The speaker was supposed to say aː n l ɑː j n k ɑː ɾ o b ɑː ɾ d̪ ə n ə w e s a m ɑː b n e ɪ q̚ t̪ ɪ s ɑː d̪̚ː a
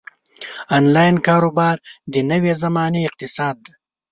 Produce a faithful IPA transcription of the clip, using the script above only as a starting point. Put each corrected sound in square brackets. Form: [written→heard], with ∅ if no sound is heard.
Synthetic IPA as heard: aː n l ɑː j n k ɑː ɾ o b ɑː ɾ d̪ ə n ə w e [s→z] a m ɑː [b→∅] n e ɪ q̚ t̪ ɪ s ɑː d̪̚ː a